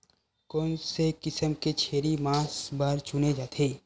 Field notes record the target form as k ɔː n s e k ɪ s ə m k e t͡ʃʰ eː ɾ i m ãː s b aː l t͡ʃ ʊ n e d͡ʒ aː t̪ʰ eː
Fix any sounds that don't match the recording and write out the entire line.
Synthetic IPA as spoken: k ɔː n s e k ɪ s ə m k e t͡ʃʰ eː ɾ i m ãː s b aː ɾ t͡ʃ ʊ n e d͡ʒ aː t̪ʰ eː

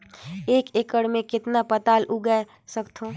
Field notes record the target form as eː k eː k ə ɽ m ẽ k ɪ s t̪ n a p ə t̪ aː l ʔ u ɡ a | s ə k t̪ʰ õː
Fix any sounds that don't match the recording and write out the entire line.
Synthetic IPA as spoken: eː k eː k ə ɽ m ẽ k ɪ t̪ n a p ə t̪ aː l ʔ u ɡ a | s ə k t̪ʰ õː

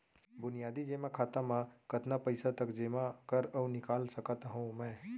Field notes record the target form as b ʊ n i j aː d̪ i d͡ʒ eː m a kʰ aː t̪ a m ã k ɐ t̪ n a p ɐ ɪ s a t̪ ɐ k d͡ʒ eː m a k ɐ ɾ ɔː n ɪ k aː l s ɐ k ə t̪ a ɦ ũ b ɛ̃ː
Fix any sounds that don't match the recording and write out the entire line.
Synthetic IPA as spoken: b ʊ n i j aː d̪ i d͡ʒ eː m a kʰ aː t̪ a m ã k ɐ t̪ n a p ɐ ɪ s a t̪ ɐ k d͡ʒ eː m a k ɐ ɾ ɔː n ɪ k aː l s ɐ k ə t̪ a ɦ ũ m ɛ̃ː

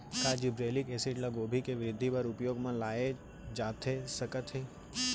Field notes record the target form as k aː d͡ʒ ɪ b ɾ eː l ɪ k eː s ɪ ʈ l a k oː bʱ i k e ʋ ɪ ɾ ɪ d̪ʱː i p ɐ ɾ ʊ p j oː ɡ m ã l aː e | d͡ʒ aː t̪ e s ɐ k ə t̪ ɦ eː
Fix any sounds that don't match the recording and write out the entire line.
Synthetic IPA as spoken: k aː d͡ʒ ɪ b ɾ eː l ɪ k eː s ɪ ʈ l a ɡ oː bʱ i k e ʋ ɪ ɾ ɪ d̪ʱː i p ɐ ɾ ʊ p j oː ɡ m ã l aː e | d͡ʒ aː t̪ e s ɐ k ə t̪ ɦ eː

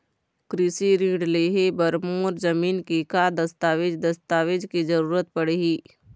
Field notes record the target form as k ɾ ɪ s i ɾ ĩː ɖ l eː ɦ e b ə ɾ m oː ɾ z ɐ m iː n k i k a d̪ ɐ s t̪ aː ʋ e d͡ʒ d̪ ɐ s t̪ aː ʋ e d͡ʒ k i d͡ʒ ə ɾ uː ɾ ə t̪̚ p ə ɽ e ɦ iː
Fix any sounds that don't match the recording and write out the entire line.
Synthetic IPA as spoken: k ɾ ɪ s i ɾ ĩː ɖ l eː ɦ e b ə ɾ m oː ɾ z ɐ m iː n k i k a d̪ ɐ s t̪ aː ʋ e d͡ʒ d̪ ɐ s t̪ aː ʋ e d͡ʒ k i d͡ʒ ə ɾ uː ɾ ə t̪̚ p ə ɽ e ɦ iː

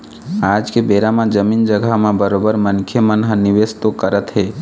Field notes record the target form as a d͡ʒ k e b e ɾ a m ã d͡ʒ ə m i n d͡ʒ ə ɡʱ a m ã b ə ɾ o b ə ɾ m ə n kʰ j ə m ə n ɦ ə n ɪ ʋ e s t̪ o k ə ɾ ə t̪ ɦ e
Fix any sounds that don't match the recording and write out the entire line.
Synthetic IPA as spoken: a d͡ʒ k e b e ɾ a m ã d͡ʒ ə m i n d͡ʒ ə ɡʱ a m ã b ə ɾ o b ə ɾ m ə n kʰ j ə m ə n ɦ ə n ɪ ʋ e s t̪ o k ə ɾ ə t̪ ɦ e

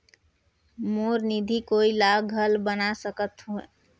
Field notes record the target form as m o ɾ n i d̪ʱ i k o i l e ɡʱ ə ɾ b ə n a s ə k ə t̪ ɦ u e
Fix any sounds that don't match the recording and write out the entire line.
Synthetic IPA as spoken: m o ɾ n i d̪ʱ i k o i l a ɡʱ ə l b ə n a s ə k ə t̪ ɦ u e

